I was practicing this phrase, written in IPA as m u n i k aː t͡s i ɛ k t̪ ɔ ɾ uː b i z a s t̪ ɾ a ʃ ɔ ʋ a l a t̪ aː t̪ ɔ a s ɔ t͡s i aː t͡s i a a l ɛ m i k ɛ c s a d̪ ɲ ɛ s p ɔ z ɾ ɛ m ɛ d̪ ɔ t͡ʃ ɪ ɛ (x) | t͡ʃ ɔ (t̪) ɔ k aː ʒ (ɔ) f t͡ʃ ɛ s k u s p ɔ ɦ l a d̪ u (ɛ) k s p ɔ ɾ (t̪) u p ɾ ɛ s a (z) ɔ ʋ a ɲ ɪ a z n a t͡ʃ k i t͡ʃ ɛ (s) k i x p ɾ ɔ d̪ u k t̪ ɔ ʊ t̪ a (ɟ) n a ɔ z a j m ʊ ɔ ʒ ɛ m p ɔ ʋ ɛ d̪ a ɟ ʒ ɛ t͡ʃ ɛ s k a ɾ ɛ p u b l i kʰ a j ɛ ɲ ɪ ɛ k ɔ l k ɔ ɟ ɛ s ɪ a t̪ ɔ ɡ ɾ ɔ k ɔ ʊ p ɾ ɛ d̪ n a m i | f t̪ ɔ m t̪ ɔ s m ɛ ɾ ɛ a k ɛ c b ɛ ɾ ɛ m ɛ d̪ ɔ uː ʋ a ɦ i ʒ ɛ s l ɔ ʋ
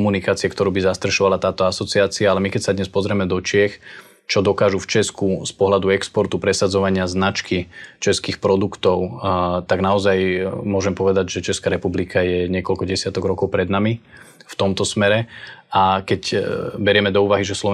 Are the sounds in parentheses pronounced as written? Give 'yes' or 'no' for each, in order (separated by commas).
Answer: yes, no, no, yes, yes, no, yes, no